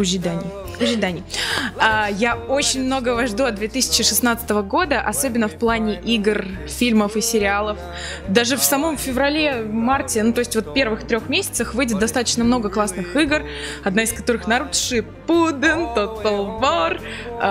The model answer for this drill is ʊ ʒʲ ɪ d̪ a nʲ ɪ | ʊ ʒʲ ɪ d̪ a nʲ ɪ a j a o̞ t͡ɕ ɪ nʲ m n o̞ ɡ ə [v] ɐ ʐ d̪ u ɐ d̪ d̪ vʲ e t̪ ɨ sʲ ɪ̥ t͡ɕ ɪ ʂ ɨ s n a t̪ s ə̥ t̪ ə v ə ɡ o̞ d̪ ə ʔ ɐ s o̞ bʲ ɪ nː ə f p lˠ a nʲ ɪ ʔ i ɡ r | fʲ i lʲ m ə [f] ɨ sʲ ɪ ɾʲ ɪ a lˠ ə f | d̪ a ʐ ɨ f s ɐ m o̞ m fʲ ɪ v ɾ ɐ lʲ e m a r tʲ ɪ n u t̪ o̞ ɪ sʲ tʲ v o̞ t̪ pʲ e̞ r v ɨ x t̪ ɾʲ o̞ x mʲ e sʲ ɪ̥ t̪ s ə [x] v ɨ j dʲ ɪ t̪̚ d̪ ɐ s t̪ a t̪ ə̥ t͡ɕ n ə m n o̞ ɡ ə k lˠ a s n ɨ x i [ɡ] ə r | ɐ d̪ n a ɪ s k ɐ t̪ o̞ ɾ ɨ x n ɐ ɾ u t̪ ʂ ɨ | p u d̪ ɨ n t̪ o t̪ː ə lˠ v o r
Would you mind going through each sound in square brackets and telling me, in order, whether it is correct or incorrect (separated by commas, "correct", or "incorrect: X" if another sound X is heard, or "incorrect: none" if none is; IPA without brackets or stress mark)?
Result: correct, correct, correct, correct